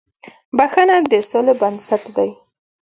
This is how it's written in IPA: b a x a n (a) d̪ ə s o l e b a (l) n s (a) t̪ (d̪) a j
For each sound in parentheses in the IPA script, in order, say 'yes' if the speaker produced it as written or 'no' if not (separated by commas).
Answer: yes, no, yes, yes